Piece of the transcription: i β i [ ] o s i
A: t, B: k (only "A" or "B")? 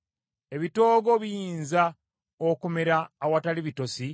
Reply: A